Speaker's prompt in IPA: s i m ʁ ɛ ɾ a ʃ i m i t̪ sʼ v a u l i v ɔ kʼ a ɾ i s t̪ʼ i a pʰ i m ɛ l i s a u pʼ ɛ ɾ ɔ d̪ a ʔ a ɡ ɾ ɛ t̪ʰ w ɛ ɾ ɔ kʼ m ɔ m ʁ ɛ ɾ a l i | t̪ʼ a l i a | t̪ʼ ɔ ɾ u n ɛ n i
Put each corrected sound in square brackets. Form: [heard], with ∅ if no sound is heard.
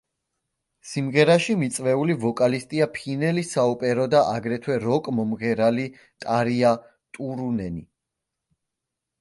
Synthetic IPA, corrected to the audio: s i m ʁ ɛ ɾ a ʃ i m i t̪ sʼ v [ɛ] u l i v ɔ kʼ a [l] i s t̪ʼ i a pʰ i [n] ɛ l i s a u pʼ ɛ ɾ ɔ d̪ a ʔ a ɡ ɾ ɛ t̪ʰ w ɛ ɾ ɔ kʼ m ɔ m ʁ ɛ ɾ a l i | t̪ʼ a [ɾ] i a | t̪ʼ [u] ɾ u n ɛ n i